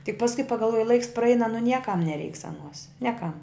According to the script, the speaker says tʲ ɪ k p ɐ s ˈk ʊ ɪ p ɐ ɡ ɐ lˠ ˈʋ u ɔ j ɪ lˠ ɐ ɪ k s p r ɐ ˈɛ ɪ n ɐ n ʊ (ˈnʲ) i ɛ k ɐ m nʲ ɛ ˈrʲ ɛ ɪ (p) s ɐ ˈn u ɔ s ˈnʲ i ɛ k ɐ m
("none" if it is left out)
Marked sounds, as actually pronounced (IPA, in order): nʲ, k

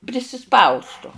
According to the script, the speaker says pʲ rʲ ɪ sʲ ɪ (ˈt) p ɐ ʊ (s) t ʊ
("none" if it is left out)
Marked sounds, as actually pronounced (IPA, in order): s, s

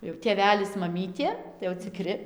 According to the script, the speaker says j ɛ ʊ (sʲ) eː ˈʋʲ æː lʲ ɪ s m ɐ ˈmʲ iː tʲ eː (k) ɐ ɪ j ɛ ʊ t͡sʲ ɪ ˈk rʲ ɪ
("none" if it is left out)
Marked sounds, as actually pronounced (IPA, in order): tʲ, t

